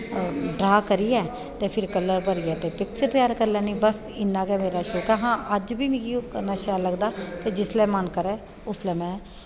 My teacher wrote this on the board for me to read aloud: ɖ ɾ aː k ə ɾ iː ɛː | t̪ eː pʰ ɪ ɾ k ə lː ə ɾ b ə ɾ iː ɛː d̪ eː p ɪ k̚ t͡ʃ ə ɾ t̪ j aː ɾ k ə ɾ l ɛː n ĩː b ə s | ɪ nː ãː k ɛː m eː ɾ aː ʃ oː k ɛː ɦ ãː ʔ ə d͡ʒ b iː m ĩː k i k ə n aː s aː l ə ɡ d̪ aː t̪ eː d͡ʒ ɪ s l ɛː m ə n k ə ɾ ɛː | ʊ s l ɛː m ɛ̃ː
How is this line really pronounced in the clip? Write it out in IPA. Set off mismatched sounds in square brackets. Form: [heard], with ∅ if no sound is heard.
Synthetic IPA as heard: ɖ ɾ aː k ə ɾ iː ɛː | t̪ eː pʰ ɪ ɾ k ə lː ə ɾ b ə ɾ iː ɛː [t̪] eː p ɪ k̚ t͡ʃ ə ɾ t̪ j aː ɾ k ə ɾ l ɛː n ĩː b ə s | ɪ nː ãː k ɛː m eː ɾ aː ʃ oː k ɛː ɦ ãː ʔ ə d͡ʒ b iː m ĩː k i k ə n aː [ʃ] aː l ə ɡ d̪ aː t̪ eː d͡ʒ ɪ s l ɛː m ə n k ə ɾ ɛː | ʊ s l ɛː m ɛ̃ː